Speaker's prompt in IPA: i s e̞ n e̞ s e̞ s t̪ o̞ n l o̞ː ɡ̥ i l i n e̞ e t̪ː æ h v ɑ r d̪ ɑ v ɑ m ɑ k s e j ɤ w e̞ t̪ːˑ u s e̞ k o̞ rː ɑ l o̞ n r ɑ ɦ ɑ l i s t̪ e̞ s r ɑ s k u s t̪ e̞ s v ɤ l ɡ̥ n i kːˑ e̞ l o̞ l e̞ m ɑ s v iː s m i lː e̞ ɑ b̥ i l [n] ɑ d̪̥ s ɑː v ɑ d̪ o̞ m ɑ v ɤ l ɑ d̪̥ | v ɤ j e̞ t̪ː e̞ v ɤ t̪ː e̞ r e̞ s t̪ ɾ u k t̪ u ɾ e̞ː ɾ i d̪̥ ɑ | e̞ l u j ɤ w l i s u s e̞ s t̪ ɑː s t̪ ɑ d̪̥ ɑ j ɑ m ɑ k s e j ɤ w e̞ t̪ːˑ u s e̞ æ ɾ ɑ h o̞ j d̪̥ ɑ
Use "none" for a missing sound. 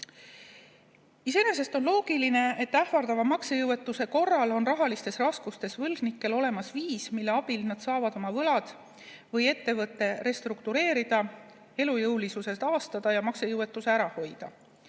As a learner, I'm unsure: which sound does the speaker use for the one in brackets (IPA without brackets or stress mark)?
n